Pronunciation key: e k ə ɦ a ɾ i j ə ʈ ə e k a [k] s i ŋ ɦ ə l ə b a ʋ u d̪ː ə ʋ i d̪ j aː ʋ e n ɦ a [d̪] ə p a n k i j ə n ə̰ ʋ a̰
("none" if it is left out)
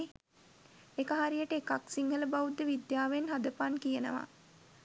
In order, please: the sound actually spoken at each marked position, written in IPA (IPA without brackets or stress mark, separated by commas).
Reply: k, d̪